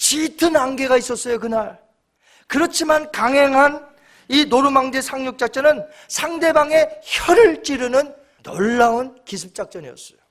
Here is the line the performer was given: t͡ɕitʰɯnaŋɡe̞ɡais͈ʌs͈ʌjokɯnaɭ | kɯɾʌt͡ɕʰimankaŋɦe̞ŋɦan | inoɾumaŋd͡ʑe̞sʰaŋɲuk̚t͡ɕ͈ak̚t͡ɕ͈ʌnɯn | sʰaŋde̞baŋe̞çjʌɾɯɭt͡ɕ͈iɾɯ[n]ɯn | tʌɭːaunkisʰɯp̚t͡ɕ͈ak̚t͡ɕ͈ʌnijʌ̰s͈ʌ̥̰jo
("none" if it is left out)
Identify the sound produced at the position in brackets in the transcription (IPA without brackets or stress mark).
n